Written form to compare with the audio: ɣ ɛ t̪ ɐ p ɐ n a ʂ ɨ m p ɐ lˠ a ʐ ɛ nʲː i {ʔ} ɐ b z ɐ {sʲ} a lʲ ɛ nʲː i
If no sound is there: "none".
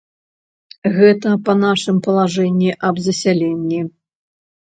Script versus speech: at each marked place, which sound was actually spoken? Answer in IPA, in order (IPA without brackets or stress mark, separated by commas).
ʔ, sʲ